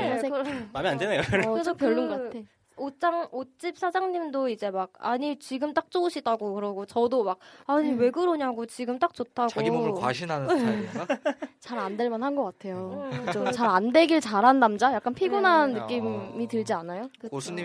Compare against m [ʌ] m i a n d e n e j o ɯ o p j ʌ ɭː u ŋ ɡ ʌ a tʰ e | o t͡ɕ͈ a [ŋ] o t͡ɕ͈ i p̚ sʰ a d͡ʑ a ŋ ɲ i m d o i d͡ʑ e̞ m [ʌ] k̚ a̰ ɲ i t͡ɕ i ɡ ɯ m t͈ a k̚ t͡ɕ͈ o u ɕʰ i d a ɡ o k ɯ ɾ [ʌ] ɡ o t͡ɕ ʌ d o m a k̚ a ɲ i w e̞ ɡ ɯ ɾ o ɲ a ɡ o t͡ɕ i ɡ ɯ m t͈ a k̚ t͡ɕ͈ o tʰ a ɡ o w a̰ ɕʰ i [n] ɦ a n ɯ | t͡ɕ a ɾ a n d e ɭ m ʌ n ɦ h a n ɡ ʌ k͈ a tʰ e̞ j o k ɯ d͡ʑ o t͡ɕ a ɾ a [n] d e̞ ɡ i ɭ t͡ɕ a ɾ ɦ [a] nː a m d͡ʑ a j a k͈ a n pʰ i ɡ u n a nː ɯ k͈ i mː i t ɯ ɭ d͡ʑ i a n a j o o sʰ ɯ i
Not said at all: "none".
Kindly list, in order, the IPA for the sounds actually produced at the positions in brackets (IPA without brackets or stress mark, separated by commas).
a, ŋ, a, ʌ, n, n, a